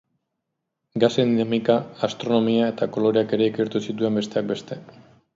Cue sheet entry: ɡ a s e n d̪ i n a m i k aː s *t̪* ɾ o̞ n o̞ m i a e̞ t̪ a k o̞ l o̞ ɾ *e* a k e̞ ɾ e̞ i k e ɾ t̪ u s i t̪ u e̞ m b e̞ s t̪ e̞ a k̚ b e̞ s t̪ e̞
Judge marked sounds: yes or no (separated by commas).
yes, yes